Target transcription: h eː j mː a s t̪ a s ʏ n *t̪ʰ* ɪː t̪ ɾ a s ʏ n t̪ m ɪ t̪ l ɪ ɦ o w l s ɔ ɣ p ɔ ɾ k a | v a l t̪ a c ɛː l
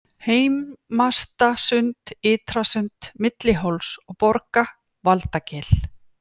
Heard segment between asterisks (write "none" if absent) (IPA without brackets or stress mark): t̪